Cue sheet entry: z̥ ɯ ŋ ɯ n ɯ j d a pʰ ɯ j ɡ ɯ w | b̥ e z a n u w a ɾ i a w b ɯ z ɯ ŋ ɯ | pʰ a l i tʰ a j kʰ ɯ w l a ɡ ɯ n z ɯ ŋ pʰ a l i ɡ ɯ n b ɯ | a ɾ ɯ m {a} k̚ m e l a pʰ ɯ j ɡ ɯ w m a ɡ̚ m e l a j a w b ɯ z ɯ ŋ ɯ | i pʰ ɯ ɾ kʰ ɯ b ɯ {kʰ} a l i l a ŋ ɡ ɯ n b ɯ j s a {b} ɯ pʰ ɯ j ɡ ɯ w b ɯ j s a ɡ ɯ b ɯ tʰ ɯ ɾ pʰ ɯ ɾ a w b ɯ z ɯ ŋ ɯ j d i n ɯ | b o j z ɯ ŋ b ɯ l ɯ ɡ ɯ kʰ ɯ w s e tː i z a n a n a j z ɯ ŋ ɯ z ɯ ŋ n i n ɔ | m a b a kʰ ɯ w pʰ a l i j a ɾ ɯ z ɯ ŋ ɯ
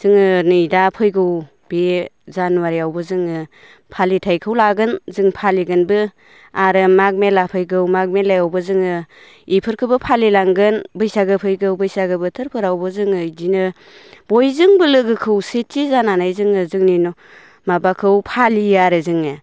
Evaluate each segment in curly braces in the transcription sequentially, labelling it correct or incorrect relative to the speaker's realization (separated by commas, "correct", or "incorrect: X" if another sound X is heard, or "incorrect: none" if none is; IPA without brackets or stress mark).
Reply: correct, incorrect: pʰ, incorrect: ɡ